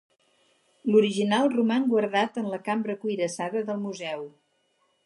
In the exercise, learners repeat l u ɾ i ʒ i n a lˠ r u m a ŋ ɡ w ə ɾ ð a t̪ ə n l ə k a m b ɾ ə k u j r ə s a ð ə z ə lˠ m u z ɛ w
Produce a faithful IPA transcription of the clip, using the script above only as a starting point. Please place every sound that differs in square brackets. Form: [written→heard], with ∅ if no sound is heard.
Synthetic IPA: l u ɾ i ʒ i n a lˠ r u m a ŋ ɡ w ə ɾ ð a t̪ ə n l ə k a m b ɾ ə k u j [r→ɾ] ə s a ð ə [z→ð] ə lˠ m u z ɛ w

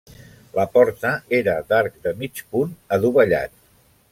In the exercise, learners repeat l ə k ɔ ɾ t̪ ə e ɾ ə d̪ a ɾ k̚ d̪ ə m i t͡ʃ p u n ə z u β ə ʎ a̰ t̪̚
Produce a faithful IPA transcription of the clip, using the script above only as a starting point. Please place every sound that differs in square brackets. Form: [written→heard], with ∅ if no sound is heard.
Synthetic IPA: l ə [k→p] ɔ ɾ t̪ ə e ɾ ə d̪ a ɾ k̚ d̪ ə m i t͡ʃ p u n ə [z→ð] u β ə ʎ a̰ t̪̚

